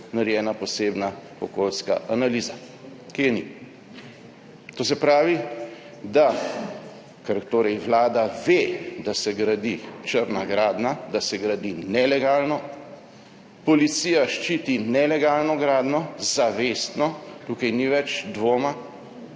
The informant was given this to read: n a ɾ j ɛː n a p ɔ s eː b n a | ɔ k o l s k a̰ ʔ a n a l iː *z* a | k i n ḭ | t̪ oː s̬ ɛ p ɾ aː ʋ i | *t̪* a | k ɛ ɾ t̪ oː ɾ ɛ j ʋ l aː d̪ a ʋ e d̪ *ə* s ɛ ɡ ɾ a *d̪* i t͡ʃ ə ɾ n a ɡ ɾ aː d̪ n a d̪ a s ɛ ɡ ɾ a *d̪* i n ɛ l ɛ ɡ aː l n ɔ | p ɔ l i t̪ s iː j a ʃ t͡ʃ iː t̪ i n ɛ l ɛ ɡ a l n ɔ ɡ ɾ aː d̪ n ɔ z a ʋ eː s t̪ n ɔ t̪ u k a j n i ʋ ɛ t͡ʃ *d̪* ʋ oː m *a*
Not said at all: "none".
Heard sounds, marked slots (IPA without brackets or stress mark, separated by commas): z, d̪, a, d̪, d̪, d̪, a